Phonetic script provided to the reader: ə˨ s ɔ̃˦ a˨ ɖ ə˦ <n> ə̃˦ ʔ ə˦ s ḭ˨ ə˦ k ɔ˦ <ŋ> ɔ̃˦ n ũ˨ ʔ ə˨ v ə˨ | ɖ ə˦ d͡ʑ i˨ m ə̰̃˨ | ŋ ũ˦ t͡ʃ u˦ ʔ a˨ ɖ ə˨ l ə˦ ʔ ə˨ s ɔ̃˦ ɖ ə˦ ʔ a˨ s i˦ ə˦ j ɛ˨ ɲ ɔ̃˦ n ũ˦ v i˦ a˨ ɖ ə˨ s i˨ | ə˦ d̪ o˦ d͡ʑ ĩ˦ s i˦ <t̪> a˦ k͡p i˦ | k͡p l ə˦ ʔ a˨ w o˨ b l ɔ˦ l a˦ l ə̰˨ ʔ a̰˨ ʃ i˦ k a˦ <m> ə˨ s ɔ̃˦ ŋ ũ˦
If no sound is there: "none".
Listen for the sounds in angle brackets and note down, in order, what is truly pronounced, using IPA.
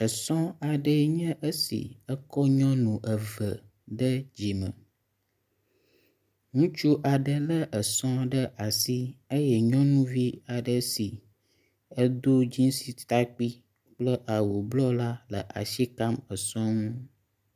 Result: ɲ, ɲ, t̪, m

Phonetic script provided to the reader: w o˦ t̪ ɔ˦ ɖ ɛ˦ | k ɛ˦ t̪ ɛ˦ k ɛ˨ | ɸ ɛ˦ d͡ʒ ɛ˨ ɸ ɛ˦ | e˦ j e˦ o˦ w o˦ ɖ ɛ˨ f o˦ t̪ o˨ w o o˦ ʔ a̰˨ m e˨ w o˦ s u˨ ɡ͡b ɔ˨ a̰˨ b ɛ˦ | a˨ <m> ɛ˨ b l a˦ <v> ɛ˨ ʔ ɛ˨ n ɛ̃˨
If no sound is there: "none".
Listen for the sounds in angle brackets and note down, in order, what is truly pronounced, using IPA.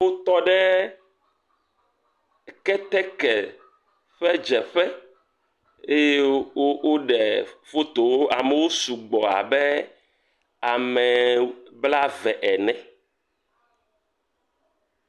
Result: m, v

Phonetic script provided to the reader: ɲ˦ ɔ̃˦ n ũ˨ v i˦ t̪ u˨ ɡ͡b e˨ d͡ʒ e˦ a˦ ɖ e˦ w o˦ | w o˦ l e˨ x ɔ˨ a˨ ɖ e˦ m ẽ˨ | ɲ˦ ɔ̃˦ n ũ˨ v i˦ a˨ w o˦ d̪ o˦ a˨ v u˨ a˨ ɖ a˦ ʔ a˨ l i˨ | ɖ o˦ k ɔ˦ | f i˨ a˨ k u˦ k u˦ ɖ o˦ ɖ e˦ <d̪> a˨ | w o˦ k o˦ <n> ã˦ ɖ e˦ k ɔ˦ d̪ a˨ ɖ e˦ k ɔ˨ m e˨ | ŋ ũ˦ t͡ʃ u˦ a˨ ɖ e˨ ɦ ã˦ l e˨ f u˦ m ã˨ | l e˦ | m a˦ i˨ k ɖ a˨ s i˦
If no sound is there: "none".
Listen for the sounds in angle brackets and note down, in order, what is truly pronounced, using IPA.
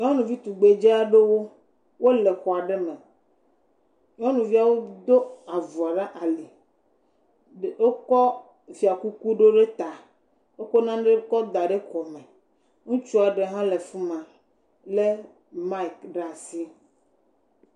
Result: t̪, n

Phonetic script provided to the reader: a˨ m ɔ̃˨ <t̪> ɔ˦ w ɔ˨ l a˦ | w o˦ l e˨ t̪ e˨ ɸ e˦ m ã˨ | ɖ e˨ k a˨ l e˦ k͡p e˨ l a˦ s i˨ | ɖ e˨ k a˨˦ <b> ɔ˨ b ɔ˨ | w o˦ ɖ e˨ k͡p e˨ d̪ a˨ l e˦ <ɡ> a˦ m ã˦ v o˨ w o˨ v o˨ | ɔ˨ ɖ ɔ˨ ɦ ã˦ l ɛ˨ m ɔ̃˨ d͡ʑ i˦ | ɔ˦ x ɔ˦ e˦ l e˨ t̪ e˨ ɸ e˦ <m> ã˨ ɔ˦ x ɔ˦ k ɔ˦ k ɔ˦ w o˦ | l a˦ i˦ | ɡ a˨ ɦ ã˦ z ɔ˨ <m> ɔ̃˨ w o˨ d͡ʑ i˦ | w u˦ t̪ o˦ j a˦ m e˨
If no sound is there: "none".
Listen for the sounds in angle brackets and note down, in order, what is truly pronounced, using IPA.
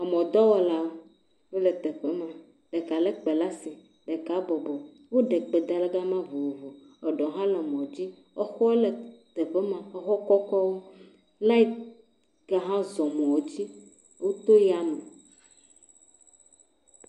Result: d̪, b, ɡ, m, m

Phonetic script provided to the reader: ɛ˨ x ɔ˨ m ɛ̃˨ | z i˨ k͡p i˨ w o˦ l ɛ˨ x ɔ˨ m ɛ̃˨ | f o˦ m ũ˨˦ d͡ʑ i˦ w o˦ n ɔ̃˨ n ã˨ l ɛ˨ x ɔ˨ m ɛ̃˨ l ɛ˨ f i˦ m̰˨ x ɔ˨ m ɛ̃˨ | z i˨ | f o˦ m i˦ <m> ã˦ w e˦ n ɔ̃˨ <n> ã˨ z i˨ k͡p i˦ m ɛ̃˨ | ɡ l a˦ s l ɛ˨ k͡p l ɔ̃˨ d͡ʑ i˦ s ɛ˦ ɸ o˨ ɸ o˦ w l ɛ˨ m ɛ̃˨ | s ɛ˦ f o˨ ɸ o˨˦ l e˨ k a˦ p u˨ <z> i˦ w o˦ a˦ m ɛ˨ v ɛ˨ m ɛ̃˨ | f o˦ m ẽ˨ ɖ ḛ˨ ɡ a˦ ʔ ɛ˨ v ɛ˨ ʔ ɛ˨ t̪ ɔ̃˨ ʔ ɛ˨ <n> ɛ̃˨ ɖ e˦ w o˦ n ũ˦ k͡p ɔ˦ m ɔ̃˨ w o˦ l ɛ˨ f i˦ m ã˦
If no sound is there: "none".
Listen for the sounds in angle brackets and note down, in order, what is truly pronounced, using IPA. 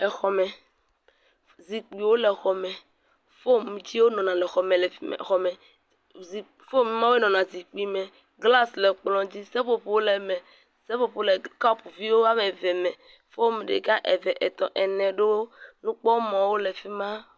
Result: m, n, v, n

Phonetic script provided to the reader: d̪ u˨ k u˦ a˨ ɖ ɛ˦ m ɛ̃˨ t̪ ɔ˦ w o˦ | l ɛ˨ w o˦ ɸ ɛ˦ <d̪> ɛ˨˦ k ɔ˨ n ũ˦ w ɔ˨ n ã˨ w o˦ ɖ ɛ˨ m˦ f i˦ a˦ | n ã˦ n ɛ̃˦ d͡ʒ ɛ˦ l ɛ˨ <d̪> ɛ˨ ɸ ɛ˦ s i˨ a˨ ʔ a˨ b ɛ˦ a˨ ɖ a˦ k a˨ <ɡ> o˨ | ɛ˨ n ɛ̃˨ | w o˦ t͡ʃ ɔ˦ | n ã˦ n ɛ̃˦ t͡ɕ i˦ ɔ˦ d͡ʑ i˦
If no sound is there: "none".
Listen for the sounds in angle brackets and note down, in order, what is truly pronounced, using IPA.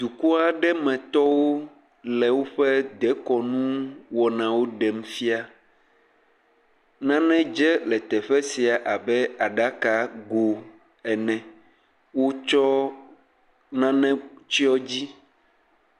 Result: d̪, t̪, ɡ

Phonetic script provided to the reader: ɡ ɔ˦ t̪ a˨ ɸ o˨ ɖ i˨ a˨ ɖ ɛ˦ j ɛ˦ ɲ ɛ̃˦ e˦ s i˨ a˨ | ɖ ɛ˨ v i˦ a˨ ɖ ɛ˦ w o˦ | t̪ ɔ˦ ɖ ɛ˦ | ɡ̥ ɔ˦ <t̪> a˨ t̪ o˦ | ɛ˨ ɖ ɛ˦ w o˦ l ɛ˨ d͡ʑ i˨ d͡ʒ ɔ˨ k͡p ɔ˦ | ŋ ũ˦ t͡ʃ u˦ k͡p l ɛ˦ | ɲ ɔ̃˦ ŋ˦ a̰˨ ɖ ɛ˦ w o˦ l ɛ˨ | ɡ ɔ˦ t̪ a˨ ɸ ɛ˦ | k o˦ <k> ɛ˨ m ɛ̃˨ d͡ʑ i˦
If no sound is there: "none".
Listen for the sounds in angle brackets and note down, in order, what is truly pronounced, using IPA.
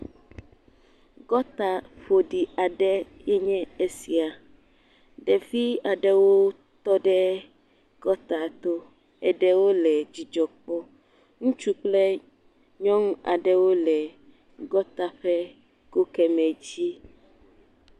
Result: t̪, k

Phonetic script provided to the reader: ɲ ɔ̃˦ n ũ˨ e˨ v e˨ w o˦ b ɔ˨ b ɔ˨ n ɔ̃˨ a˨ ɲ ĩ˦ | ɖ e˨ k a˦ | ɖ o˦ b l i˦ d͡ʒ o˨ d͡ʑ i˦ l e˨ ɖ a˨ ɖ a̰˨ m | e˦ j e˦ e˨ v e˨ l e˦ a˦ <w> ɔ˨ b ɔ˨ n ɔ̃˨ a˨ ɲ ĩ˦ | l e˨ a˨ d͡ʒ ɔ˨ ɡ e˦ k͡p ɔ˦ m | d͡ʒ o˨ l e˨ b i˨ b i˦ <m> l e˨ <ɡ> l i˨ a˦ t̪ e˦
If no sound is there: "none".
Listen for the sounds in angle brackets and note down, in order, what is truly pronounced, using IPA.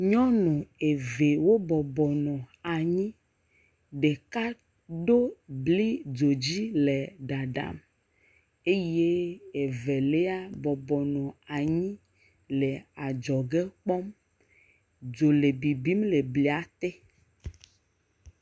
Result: b, m, b

